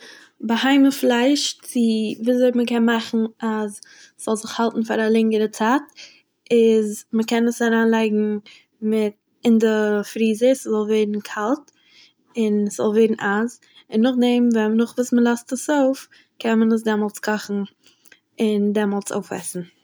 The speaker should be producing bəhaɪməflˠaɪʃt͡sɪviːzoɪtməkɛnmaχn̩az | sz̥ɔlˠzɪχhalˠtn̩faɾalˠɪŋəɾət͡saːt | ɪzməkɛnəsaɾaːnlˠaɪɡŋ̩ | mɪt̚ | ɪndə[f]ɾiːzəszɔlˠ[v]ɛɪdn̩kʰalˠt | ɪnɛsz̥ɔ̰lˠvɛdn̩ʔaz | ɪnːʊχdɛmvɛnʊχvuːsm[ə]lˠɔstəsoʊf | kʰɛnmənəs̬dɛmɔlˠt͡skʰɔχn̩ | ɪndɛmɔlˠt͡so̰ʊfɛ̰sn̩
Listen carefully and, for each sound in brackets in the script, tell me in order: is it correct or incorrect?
correct, correct, correct

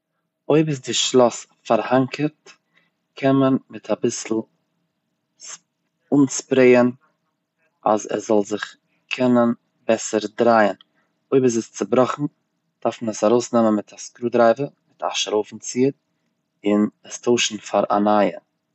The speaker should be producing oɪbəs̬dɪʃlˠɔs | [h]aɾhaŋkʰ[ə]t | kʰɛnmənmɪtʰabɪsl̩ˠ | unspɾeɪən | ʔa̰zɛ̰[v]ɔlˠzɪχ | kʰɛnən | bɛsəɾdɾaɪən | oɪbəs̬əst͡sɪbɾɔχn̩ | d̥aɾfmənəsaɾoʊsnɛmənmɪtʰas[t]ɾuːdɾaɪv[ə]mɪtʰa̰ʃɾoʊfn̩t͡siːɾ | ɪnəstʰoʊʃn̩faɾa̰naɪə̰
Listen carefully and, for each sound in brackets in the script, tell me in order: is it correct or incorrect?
incorrect: f, correct, incorrect: z, incorrect: k, correct

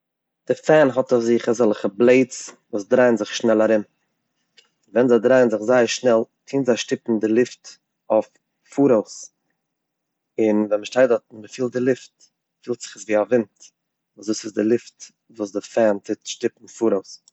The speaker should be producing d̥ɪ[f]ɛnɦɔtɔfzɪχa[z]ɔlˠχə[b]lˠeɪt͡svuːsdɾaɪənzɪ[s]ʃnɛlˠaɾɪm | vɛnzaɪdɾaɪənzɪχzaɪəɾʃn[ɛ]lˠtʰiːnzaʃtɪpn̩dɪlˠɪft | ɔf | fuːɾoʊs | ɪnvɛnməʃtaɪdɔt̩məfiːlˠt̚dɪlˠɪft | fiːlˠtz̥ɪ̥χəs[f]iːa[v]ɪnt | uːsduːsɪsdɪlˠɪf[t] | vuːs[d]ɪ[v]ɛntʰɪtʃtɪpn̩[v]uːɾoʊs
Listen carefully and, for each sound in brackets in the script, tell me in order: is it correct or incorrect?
correct, correct, correct, incorrect: χ, correct, incorrect: v, correct, correct, correct, incorrect: f, incorrect: f

